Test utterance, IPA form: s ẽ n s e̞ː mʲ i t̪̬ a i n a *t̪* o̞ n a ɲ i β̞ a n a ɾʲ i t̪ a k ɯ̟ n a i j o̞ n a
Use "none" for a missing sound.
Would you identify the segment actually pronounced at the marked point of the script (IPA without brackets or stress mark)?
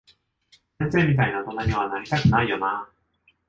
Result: t̪